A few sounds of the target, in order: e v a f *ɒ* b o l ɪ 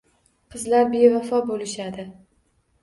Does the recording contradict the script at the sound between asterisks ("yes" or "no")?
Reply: no